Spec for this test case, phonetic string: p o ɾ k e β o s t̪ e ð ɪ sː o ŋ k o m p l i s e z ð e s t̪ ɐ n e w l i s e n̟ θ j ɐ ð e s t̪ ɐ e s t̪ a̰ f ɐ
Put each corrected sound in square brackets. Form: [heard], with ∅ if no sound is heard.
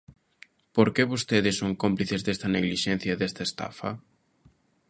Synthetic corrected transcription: p o ɾ k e β o s t̪ e ð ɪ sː o ŋ k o m p l i [θ] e z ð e s t̪ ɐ n e [ɣ] l i [ʃ] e n̟ θ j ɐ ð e s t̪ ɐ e s t̪ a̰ f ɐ